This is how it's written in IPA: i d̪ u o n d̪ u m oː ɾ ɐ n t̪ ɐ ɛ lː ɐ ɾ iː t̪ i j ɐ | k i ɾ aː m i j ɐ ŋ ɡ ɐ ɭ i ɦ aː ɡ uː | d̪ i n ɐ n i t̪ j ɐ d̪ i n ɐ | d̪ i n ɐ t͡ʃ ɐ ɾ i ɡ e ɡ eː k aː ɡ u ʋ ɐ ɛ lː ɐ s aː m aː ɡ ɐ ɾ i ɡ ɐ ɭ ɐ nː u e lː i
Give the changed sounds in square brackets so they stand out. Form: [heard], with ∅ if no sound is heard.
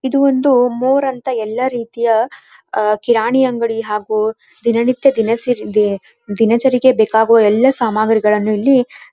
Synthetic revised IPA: i d̪ u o n d̪ u m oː ɾ ɐ n t̪ ɐ ɛ lː ɐ ɾ iː t̪ i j ɐ | k i ɾ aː [ɳ] i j ɐ ŋ ɡ ɐ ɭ i ɦ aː ɡ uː | d̪ i n ɐ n i t̪ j ɐ d̪ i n ɐ | d̪ i n ɐ t͡ʃ ɐ ɾ i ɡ e [b] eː k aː ɡ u ʋ ɐ ɛ lː ɐ s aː m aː ɡ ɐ ɾ i ɡ ɐ ɭ ɐ nː u [i] lː i